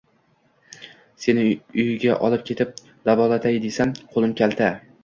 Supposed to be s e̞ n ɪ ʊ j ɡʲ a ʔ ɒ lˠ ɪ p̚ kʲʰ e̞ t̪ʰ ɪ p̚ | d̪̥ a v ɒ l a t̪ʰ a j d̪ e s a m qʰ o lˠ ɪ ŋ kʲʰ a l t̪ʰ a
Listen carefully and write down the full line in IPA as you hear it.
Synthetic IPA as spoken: s e̞ n ɪ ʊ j ɡʲ a ʔ ɒ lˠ ɪ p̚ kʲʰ e̞ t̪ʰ ɪ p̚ | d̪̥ a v ɒ l a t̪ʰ a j d̪ e s a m qʰ o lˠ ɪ m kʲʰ a l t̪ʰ a